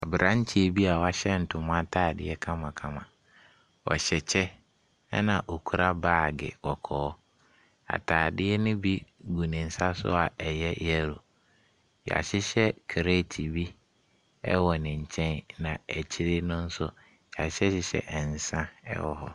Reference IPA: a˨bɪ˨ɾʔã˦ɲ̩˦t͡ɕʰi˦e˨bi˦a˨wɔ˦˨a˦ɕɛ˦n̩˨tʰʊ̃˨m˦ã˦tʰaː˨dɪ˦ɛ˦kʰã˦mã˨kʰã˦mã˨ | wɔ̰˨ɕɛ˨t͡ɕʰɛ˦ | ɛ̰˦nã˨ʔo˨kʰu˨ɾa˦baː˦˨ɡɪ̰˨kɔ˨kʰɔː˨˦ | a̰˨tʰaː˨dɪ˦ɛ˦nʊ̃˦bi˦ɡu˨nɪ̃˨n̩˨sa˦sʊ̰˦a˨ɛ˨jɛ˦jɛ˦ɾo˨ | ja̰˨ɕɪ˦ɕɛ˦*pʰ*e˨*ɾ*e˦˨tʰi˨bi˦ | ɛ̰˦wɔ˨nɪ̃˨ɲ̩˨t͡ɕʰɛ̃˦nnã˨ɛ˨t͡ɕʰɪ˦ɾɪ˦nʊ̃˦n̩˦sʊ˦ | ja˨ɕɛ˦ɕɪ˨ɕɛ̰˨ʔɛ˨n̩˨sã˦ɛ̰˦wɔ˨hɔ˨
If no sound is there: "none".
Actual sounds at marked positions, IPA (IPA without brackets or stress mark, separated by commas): kʰ, ɾ